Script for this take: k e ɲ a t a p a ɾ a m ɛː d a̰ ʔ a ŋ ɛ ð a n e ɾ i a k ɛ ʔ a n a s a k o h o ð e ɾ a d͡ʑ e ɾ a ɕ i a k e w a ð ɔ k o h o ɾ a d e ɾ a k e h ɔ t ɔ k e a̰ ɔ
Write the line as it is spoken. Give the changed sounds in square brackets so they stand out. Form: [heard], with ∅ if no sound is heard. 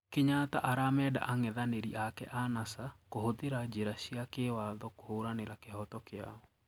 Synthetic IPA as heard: k e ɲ a t a [ʔ] a ɾ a m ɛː d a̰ ʔ a ŋ ɛ ð a n e ɾ i a k ɛ ʔ a n a s a k o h o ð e ɾ a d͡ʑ e ɾ a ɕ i a k e w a ð ɔ k o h o ɾ a [n] e ɾ a k e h ɔ t ɔ k e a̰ ɔ